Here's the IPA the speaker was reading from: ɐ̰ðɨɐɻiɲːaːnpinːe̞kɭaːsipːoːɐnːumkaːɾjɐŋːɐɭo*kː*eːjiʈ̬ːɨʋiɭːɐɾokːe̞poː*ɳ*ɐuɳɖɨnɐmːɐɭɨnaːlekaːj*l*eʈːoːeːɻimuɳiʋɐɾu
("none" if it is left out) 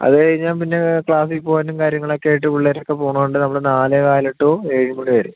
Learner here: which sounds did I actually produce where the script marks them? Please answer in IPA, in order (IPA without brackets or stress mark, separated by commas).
kː, ɳ, l